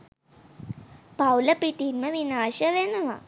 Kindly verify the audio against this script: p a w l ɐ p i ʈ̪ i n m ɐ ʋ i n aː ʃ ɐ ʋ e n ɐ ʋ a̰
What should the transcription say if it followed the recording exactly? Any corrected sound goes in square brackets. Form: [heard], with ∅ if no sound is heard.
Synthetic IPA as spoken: p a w l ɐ p i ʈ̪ i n m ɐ ʋ i n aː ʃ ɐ ʋ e n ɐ ʋ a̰